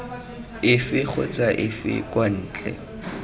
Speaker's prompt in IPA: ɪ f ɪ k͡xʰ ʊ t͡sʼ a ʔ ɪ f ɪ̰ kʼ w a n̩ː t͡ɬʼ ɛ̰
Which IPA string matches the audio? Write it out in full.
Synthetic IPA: ɪ f ɪ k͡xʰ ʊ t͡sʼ a ʔ ɪ f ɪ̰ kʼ w a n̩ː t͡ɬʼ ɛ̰